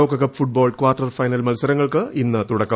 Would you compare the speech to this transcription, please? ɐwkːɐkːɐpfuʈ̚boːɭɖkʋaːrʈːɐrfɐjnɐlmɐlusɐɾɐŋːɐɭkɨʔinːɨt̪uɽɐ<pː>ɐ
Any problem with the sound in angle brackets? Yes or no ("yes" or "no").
yes